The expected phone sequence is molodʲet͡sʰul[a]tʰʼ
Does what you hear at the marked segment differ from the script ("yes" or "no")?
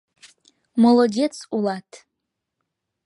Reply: no